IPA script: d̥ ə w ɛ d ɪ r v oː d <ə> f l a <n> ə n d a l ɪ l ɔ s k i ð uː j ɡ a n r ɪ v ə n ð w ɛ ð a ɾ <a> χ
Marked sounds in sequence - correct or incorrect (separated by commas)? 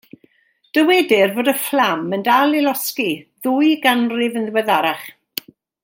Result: correct, incorrect, correct